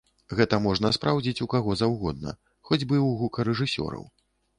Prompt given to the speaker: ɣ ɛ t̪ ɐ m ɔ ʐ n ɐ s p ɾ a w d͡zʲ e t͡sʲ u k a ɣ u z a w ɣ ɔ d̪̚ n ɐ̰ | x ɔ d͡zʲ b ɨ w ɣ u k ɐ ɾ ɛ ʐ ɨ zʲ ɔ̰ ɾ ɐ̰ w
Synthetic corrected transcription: ɣ ɛ t̪ ɐ m ɔ ʐ n ɐ s p ɾ a w d͡zʲ i t͡sʲ u k a ɣ ɔ z a w ɣ ɔ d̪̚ n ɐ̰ | x ɔ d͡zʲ b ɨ w ɣ u k ɐ ɾ ɛ ʐ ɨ sʲ ɔ̰ ɾ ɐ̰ w